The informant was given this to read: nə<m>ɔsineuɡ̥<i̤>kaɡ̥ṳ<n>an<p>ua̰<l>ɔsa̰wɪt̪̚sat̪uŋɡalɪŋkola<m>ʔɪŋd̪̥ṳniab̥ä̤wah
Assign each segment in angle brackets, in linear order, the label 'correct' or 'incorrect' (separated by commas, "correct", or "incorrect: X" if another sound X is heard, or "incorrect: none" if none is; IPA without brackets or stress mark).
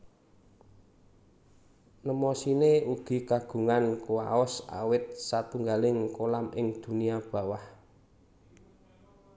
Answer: correct, correct, incorrect: ŋ, incorrect: k, incorrect: none, correct